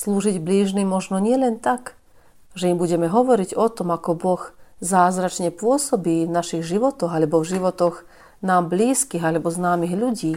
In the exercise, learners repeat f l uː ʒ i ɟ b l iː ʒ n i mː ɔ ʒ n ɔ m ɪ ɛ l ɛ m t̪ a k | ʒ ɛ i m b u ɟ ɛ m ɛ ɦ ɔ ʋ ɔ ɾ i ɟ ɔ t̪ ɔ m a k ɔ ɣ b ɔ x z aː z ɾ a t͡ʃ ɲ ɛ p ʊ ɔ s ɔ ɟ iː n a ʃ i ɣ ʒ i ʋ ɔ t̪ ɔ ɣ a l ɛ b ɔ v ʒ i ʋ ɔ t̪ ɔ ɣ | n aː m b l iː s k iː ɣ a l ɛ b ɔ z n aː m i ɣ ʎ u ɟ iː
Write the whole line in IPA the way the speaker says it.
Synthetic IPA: s l uː ʒ i ɟ b l iː ʒ n i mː ɔ ʒ n ɔ ɲ ɪ ɛ l ɛ n t̪ a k | ʒ ɛ i m b u ɟ ɛ m ɛ ɦ ɔ ʋ ɔ ɾ i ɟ ɔ t̪ ɔ m a k ɔ b ɔ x z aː z ɾ a t͡ʃ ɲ ɛ p ʊ ɔ s ɔ b iː n a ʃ i ɣ ʒ i ʋ ɔ t̪ ɔ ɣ a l ɛ b ɔ v ʒ i ʋ ɔ t̪ ɔ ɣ | n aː m b l iː s k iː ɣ a l ɛ b ɔ z n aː m i ɣ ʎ u ɟ iː